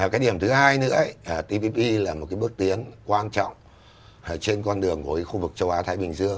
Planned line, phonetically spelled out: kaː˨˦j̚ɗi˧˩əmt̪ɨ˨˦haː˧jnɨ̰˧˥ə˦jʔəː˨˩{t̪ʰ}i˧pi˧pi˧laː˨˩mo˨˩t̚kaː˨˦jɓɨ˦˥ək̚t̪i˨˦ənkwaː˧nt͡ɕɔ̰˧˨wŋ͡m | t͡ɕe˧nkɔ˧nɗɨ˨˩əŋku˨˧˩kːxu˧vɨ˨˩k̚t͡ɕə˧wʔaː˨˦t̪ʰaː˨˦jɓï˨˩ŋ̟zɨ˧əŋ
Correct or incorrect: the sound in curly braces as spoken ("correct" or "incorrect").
incorrect